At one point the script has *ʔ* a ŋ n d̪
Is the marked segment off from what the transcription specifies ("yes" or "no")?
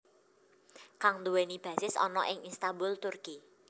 yes